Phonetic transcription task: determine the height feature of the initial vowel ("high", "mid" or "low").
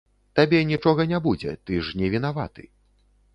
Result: low